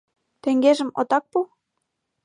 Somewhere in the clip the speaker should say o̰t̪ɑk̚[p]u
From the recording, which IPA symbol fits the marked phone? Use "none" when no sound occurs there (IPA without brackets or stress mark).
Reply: p